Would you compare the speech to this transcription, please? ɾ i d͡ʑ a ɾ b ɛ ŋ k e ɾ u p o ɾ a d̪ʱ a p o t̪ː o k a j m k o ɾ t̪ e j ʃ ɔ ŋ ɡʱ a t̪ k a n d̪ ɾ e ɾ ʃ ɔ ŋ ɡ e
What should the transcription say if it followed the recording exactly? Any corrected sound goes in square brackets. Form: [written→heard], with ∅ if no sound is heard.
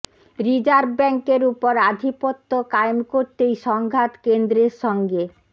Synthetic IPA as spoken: ɾ i d͡ʑ a ɾ b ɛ ŋ k e ɾ u p o ɾ a d̪ʱ [a→i] p o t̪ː o k a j m k o ɾ t̪ e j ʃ ɔ ŋ ɡʱ a t̪ k [a→e] n d̪ ɾ e ɾ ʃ ɔ ŋ ɡ e

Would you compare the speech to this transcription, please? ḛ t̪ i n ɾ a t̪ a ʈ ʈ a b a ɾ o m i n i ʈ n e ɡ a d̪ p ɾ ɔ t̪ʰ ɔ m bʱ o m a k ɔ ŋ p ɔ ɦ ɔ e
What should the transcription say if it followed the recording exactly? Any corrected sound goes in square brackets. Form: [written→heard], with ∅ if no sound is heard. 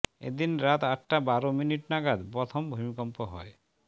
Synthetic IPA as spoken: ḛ [t̪→d̪] i n ɾ a t̪ a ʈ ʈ a b a ɾ o m i n i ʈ n [e→a] ɡ a d̪ p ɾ ɔ t̪ʰ ɔ m bʱ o m [a→i] k ɔ [ŋ→m] p ɔ ɦ ɔ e

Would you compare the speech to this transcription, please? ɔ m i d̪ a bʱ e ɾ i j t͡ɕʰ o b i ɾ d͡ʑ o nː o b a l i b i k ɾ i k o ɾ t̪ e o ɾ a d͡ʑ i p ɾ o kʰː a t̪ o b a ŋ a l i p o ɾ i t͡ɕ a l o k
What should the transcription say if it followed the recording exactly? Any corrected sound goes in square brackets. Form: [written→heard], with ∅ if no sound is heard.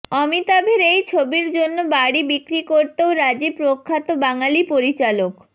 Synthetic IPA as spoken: ɔ m i [d̪→t̪] a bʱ e ɾ [i→e] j t͡ɕʰ o b i ɾ d͡ʑ o nː o b a [l→ɽ] i b i k ɾ i k o ɾ t̪ e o ɾ a d͡ʑ i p ɾ o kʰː a t̪ o b a ŋ a l i p o ɾ i t͡ɕ a l o k

